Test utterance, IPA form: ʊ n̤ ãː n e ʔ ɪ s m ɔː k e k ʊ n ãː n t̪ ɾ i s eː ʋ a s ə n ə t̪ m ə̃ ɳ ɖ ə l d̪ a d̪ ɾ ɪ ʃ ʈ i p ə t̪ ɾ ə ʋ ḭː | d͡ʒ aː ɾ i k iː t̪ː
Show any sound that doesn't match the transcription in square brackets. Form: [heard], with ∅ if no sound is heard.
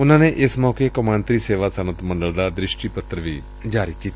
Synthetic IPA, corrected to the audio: ʊ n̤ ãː n e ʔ ɪ s m ɔː k e k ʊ [m] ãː n t̪ ɾ i s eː ʋ a s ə n ə t̪ m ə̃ ɳ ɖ ə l d̪ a d̪ ɾ ɪ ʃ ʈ i p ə t̪ ɾ ə ʋ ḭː | d͡ʒ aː ɾ i k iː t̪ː